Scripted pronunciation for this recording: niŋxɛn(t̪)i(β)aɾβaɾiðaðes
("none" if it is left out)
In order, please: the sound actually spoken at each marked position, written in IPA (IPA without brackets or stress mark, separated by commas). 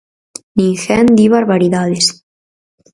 d̪, β